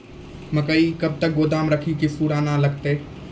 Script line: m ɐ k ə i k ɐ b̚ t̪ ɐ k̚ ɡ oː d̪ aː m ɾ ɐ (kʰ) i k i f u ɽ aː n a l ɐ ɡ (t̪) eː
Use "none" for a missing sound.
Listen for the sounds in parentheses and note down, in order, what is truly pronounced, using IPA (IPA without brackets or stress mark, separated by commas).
kʰ, t̪